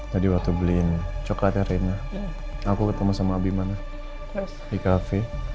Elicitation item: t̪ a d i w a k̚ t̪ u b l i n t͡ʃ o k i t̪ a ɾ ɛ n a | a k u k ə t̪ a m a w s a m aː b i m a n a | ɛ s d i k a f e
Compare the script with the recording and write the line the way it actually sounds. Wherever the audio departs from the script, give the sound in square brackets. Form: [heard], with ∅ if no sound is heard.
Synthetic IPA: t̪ a d i w a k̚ t̪ u b l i n t͡ʃ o k [a] t̪ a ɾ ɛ n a | a k u k ə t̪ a m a [∅] s a m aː b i m a n a | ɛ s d i k a f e